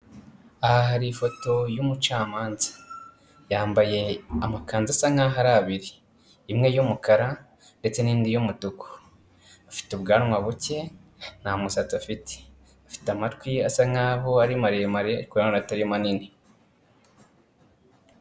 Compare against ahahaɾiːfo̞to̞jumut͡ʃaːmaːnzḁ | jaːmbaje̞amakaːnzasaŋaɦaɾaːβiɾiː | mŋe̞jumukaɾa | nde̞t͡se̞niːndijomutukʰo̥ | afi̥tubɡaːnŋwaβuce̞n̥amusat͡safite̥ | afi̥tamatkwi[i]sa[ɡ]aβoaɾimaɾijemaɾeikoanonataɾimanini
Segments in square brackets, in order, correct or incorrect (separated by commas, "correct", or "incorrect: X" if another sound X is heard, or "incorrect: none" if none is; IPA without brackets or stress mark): incorrect: a, incorrect: ŋ